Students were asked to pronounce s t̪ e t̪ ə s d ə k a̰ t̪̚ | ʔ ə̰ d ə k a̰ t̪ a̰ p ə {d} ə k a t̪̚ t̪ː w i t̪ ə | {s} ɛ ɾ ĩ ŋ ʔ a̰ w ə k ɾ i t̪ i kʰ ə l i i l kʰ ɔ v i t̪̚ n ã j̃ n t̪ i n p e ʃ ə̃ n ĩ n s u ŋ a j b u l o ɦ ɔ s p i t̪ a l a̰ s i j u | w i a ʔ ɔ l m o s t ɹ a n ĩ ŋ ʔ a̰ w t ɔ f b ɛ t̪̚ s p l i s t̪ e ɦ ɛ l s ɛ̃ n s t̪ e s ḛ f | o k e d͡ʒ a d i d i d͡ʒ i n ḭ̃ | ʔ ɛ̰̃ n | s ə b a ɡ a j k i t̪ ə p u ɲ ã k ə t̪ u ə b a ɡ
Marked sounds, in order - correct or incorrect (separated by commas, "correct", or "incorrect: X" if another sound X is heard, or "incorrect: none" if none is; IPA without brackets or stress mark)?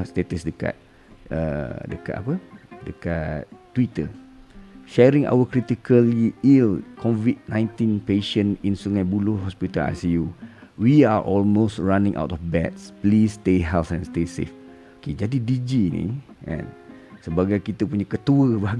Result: correct, incorrect: ʃ